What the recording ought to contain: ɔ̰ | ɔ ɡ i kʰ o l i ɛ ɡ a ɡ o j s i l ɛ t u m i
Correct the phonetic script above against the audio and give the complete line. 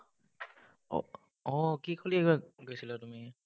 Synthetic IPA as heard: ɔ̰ | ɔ k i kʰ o l i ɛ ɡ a ɡ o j s i l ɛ t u m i